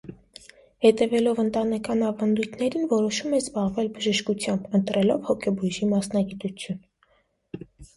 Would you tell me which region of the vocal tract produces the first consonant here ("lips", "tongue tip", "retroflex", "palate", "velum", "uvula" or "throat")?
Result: throat